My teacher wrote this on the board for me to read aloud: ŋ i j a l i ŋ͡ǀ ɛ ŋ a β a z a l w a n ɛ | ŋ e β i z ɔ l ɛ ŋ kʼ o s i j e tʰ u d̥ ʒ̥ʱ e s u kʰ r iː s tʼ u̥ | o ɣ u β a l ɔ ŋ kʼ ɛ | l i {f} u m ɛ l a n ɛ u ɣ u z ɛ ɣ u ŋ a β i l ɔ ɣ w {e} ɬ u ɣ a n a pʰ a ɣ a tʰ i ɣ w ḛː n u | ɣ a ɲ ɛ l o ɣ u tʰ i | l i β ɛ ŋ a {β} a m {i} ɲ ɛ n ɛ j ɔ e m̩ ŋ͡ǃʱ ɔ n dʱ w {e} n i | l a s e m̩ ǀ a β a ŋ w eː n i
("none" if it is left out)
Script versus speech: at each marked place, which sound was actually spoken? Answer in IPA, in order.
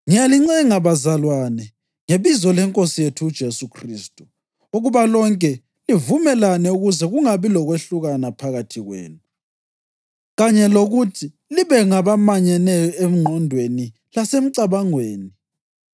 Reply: v, e, β, a, e

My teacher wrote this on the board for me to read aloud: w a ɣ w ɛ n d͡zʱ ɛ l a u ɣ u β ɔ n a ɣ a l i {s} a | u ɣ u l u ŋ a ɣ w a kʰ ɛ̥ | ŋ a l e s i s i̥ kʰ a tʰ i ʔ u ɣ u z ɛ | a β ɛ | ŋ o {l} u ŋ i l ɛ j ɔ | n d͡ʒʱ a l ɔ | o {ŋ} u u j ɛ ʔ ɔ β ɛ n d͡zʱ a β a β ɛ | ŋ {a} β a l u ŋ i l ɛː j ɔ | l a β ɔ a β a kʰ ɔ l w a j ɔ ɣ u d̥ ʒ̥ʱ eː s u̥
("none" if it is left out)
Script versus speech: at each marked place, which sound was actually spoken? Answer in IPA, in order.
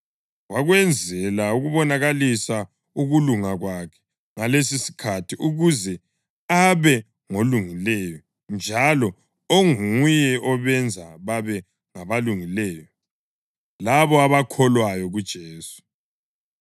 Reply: s, l, ŋ, a

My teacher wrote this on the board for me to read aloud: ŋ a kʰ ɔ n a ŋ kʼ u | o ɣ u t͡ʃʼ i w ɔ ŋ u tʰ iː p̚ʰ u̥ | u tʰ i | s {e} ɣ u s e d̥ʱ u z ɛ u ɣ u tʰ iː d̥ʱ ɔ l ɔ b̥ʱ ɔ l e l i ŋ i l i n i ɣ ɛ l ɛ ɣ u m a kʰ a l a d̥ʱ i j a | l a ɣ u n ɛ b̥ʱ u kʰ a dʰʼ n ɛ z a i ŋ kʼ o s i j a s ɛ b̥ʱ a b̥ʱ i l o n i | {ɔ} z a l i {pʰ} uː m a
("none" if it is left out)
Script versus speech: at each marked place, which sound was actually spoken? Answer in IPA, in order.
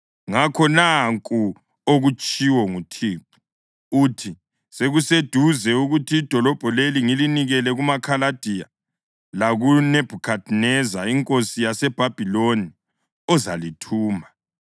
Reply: e, ɔ, tʰ

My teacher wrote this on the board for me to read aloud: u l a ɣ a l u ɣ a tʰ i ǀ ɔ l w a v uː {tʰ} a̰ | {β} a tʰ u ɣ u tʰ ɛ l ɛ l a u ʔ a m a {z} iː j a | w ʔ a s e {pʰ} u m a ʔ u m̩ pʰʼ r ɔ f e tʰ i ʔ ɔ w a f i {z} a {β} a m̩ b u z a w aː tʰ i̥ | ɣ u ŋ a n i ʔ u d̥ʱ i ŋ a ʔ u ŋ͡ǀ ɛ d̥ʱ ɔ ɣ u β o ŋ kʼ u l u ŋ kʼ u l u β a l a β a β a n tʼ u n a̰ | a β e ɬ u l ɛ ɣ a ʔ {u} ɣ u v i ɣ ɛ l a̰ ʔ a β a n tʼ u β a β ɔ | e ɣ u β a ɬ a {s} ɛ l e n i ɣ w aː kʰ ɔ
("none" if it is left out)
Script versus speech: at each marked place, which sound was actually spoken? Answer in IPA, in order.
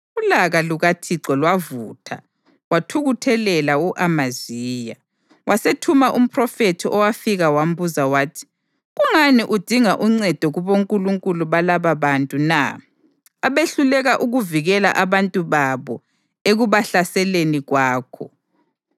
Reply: tʰ, w, z, tʰ, ɣ, w, u, s

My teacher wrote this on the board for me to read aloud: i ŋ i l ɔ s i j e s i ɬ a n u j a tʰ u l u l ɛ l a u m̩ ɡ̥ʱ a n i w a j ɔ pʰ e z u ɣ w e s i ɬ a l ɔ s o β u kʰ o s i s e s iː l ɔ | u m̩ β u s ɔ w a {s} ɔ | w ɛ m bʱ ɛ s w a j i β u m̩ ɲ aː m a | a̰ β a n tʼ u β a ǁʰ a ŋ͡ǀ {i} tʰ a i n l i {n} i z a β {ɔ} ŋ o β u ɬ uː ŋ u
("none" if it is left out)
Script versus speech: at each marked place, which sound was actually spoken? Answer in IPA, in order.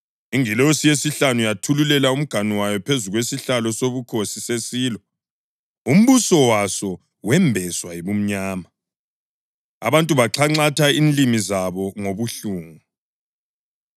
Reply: s, a, m, ɔ

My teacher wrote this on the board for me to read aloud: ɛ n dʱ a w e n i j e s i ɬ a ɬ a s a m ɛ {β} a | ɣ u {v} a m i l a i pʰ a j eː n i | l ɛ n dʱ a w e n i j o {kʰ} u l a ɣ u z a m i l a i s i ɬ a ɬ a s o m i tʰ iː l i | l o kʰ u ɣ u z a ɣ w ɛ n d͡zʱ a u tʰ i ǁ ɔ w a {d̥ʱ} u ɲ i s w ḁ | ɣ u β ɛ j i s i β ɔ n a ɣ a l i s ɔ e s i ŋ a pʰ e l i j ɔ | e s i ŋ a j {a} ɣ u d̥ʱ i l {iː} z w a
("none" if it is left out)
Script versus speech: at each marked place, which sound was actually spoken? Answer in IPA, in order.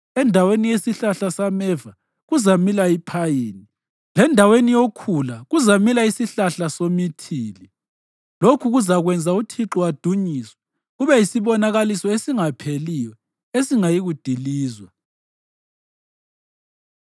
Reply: v, z, kʰ, d̥ʱ, i, iː

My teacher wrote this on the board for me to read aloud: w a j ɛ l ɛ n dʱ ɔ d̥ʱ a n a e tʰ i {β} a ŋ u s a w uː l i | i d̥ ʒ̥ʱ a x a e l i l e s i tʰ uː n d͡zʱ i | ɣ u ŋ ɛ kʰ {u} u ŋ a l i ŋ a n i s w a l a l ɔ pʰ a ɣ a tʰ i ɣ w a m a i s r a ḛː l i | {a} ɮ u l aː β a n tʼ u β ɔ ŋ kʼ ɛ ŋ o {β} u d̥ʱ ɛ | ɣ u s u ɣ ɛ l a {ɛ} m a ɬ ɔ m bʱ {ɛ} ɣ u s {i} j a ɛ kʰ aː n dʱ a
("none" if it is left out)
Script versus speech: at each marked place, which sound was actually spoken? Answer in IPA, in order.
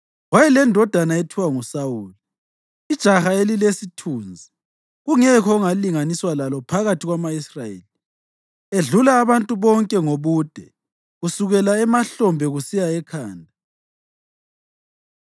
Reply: w, ɔ, e, β, ɛ, ɛ, i

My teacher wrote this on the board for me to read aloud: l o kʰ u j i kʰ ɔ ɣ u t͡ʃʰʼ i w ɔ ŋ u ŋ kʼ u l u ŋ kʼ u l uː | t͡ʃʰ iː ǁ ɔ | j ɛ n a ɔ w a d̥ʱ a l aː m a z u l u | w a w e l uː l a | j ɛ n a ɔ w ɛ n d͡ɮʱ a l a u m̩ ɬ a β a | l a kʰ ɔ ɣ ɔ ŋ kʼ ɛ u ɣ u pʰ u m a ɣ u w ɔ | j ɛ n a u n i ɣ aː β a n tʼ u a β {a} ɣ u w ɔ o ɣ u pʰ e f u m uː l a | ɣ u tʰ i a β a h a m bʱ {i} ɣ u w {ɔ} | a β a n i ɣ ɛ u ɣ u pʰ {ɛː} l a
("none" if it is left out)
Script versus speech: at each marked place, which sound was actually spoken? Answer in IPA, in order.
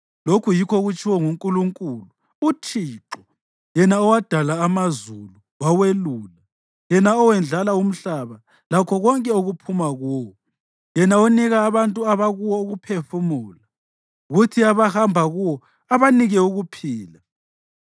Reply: a, a, ɔ, iː

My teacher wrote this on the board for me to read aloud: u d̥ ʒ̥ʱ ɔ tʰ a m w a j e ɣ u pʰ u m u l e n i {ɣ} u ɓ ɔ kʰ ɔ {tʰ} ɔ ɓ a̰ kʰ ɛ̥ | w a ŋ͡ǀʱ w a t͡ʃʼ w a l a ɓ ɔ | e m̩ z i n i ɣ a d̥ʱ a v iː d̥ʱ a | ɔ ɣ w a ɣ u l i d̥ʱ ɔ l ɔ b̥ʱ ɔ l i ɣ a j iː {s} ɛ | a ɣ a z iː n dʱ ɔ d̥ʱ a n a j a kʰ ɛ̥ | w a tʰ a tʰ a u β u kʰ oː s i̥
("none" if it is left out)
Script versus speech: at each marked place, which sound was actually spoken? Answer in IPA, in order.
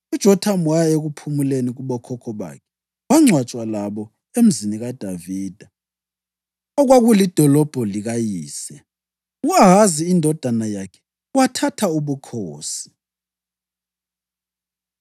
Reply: ɣ, kʰ, s

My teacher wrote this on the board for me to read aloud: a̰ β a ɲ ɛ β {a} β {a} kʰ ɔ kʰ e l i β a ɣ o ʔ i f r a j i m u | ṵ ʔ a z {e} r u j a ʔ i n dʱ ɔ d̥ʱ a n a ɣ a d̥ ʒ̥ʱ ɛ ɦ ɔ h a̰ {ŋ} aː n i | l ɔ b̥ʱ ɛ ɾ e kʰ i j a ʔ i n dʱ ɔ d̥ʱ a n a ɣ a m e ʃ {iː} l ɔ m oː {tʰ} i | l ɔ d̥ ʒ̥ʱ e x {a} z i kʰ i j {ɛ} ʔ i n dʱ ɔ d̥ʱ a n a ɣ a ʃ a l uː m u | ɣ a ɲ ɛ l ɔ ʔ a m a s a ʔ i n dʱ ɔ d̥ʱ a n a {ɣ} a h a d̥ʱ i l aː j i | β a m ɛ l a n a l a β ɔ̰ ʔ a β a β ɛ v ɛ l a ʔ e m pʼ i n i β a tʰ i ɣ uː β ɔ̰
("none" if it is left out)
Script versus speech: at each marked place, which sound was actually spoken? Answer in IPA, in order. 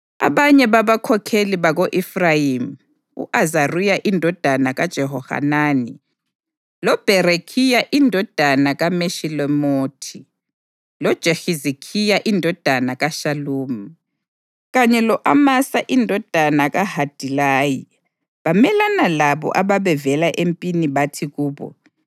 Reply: a, a, a, n, i, tʰ, i, a, ɣ

